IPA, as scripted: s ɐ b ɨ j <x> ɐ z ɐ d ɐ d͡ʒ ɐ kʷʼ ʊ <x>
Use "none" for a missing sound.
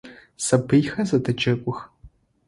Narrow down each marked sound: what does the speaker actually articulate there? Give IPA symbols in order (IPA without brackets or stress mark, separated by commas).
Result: x, x